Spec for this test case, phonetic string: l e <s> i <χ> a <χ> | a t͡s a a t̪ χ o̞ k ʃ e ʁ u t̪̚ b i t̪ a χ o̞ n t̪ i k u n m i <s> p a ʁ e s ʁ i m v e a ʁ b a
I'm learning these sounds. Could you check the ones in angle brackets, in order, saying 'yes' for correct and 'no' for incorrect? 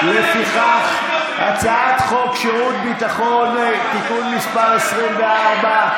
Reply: no, yes, yes, no

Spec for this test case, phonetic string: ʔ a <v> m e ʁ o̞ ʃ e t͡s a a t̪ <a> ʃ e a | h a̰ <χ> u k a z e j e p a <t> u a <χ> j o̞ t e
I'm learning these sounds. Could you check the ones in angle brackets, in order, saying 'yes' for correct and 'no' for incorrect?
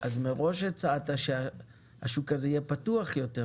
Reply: no, yes, no, yes, yes

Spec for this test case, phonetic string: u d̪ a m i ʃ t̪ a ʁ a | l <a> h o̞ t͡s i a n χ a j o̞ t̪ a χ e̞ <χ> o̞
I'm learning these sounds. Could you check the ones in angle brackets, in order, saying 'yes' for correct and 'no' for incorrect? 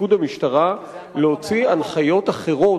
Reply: no, no

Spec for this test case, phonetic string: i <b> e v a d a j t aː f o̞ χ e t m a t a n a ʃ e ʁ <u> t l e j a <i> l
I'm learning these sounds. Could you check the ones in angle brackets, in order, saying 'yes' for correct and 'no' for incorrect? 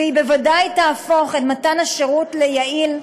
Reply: yes, yes, yes

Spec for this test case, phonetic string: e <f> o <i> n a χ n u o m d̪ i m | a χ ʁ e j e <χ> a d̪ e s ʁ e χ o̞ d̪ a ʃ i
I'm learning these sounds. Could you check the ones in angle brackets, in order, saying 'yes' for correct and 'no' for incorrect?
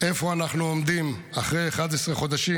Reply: yes, no, yes

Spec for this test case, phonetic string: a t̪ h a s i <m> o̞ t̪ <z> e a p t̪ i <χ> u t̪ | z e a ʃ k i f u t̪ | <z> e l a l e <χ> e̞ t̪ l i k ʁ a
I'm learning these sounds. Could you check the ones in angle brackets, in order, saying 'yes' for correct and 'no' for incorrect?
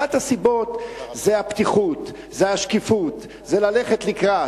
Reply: no, yes, yes, yes, yes

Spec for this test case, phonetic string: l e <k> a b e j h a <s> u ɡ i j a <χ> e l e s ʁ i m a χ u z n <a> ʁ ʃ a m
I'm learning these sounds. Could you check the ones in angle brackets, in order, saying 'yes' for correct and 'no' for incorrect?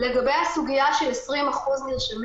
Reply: no, yes, no, no

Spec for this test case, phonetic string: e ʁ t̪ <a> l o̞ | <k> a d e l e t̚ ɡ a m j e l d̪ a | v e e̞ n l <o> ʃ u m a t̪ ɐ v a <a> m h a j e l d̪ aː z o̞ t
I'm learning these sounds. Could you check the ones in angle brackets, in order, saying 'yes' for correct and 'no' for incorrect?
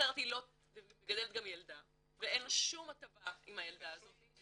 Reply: no, no, yes, no

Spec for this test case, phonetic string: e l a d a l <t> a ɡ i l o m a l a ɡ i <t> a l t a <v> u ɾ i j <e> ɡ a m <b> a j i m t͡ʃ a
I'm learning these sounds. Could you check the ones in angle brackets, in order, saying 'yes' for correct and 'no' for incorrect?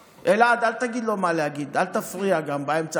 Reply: yes, no, no, no, yes

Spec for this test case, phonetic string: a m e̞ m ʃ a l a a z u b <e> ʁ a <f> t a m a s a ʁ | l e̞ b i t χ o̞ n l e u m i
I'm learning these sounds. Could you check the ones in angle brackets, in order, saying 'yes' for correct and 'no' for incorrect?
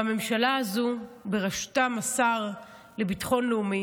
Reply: yes, no

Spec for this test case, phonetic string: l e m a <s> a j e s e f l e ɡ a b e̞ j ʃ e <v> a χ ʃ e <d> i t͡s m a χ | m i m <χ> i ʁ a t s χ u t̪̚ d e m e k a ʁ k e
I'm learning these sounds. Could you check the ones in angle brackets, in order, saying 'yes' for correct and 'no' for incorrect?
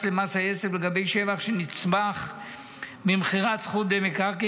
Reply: yes, yes, no, yes

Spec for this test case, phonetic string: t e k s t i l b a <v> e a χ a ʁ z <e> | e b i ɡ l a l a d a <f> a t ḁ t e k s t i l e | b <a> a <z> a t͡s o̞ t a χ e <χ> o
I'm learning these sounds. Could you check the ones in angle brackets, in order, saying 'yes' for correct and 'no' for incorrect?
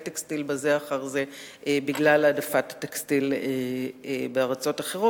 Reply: no, yes, yes, no, no, no

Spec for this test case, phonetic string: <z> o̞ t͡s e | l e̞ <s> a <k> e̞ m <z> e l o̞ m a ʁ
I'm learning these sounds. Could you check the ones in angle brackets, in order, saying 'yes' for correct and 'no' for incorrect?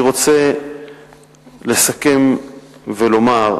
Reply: no, yes, yes, no

